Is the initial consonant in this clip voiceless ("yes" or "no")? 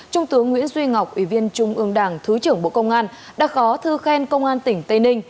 yes